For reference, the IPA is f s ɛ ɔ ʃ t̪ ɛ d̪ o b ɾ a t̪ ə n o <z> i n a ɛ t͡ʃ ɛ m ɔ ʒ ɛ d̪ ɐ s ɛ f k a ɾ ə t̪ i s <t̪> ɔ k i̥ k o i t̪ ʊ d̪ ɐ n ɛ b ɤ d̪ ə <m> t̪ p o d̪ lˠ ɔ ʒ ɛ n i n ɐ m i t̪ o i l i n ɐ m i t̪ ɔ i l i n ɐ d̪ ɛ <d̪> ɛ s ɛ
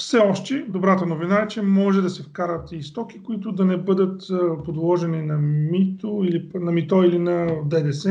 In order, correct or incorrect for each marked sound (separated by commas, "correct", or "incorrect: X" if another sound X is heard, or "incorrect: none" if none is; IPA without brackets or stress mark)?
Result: incorrect: v, correct, incorrect: none, correct